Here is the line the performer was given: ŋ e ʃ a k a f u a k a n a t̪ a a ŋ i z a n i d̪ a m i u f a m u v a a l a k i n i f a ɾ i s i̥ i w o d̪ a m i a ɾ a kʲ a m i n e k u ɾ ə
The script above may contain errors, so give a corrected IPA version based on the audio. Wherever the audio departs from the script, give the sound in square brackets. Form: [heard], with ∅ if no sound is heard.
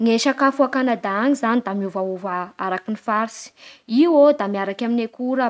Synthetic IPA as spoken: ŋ e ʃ a k a f u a k a n a [d̪] a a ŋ i z a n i d̪ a m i u [v] a [∅] u v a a [ɾ] a k i n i f a ɾ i s i̥ i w o d̪ a m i a ɾ a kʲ a m i n e k u ɾ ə